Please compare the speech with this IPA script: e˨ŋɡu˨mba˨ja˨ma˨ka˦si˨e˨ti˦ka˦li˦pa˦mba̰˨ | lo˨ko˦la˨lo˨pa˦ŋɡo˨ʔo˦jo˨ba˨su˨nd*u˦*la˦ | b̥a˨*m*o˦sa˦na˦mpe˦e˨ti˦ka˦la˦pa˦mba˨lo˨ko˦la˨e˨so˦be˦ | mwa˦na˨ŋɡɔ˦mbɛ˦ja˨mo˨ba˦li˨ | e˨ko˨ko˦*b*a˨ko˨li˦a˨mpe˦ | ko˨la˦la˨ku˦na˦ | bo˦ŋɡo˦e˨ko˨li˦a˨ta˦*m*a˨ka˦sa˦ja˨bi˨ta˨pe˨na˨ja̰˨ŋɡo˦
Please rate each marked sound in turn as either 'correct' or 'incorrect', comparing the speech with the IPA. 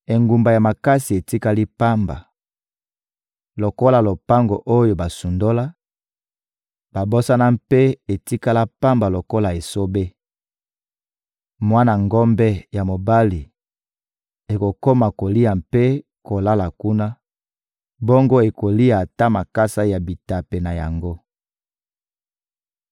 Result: incorrect: o˦, incorrect: b, incorrect: m, correct

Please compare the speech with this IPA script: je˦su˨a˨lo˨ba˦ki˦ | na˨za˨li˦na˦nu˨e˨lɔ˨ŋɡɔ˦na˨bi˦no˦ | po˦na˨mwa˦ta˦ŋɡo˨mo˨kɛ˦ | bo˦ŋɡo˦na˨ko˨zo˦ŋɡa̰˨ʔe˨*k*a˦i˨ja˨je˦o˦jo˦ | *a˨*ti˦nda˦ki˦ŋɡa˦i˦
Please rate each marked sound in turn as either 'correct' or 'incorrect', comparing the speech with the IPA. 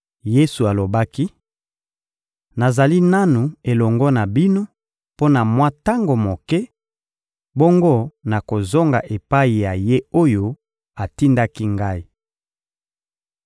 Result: incorrect: p, correct

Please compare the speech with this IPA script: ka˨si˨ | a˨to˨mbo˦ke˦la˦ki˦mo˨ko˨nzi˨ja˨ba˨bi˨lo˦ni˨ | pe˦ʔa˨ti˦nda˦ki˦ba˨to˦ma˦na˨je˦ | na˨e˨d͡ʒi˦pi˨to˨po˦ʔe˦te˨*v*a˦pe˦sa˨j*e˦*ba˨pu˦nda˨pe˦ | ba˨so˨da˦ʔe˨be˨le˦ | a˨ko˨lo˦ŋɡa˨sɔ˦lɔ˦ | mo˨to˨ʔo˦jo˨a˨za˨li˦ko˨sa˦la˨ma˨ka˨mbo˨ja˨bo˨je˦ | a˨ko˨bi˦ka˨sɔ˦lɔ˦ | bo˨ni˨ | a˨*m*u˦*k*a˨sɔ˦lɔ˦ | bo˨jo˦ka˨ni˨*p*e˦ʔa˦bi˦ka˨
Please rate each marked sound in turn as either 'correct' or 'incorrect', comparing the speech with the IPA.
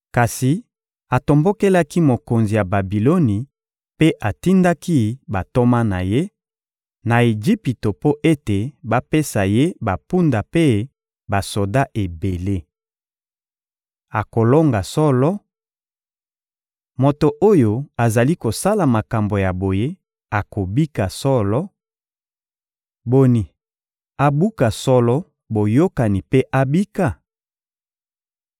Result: incorrect: b, correct, incorrect: b, correct, correct

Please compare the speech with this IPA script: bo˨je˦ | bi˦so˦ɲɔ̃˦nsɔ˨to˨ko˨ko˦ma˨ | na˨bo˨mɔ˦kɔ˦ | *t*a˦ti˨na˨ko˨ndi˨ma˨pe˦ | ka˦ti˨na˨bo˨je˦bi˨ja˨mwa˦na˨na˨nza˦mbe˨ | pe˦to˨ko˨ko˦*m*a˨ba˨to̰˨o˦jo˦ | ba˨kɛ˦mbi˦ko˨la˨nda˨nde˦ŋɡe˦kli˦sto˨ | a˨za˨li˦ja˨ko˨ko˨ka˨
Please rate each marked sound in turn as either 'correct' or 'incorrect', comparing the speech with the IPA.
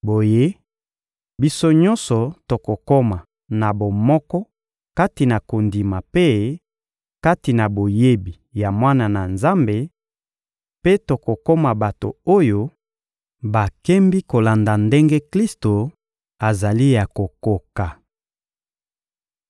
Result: incorrect: k, correct

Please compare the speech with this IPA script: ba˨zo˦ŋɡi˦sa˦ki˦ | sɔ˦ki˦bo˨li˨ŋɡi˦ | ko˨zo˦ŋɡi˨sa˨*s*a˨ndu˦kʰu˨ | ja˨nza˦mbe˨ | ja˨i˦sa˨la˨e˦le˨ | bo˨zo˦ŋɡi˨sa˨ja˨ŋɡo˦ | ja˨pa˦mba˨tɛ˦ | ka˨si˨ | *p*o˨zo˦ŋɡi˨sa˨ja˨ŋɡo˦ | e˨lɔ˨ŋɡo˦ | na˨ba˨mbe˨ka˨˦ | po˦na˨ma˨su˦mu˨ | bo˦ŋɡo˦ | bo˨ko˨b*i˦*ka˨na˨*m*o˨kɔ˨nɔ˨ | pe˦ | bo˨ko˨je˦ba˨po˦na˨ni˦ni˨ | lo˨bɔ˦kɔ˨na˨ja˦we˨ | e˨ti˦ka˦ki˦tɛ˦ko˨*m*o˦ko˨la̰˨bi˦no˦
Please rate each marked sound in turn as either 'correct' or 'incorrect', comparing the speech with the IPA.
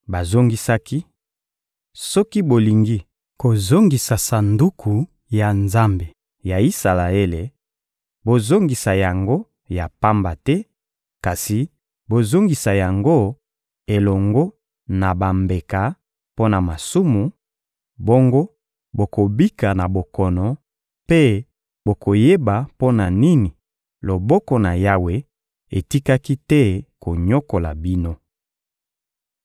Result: correct, incorrect: b, correct, incorrect: b, incorrect: ɲ

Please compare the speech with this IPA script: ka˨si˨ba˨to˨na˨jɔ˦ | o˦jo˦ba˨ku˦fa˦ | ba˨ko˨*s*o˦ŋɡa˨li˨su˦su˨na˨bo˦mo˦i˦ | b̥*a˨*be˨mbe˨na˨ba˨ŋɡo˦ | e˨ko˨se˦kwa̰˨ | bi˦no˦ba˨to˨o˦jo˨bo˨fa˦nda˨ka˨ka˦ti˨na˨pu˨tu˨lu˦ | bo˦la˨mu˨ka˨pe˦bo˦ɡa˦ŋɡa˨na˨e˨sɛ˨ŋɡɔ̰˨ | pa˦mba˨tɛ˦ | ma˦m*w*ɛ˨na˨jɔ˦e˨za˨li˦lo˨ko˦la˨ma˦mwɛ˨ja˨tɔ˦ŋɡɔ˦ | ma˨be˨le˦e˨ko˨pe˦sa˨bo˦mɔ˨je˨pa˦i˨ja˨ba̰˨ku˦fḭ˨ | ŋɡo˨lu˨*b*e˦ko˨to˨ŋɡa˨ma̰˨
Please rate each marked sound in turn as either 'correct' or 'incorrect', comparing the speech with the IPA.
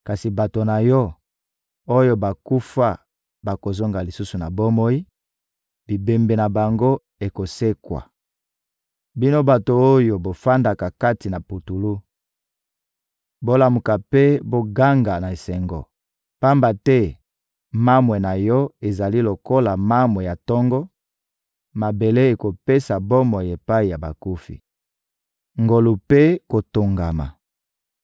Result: incorrect: z, incorrect: i˨, correct, incorrect: p

